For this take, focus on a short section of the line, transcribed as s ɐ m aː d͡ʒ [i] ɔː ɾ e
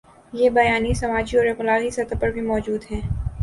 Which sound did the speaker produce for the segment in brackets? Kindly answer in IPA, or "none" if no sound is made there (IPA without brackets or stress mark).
i